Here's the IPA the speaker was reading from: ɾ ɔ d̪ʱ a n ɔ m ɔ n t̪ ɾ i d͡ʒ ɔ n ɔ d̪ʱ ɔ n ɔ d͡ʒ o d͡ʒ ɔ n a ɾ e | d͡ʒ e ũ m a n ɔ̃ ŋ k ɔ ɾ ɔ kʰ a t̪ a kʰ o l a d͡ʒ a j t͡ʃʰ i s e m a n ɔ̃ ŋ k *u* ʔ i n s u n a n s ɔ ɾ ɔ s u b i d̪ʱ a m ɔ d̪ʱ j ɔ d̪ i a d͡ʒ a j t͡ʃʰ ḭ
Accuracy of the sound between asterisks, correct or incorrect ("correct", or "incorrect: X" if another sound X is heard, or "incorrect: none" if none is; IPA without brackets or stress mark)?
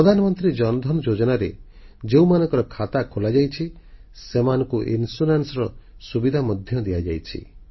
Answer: correct